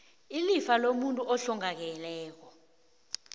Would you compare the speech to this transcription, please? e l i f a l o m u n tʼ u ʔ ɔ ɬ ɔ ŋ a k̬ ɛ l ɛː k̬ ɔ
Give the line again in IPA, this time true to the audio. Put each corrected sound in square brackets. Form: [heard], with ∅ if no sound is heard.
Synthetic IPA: [i] l i f a l o m u n tʼ u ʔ ɔ ɬ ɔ ŋ a k̬ ɛ l ɛː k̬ ɔ